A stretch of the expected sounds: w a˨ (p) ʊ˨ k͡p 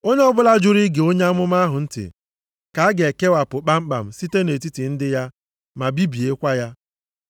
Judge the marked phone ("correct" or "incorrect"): correct